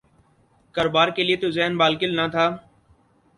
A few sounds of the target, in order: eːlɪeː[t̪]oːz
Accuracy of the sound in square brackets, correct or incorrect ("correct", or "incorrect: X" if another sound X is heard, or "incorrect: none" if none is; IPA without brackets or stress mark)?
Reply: correct